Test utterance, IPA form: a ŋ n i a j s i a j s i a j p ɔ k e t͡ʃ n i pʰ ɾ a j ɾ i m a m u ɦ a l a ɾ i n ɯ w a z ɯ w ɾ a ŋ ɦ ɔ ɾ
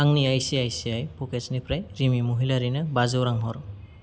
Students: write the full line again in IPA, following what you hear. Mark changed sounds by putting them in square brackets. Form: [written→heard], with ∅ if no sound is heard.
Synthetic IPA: a ŋ n i a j s i a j s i a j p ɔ k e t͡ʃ n i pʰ ɾ a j ɾ i m [a→i] m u ɦ [a→i] l a ɾ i n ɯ [w→b] a z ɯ w ɾ a ŋ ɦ ɔ ɾ